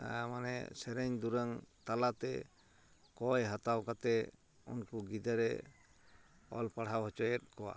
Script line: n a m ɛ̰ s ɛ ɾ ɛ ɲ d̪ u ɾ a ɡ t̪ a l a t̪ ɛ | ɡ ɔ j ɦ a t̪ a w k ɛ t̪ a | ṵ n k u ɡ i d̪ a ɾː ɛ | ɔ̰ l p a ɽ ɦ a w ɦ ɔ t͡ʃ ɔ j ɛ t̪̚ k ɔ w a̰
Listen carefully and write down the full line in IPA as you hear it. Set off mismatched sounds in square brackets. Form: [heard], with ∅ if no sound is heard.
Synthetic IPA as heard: [m] a [n] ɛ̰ s ɛ ɾ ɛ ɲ d̪ u ɾ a [ŋ] t̪ a l a t̪ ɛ | [k] ɔ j ɦ a t̪ a w k [a] t̪ [ɛ] | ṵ n k u ɡ i d̪ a [ɾ] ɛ | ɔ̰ l p a ɽ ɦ a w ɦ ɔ t͡ʃ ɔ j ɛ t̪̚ k ɔ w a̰